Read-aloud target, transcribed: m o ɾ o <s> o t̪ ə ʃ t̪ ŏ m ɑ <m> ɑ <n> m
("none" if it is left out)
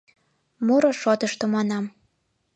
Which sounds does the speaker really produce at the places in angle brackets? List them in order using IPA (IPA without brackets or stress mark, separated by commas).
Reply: ʃ, n, none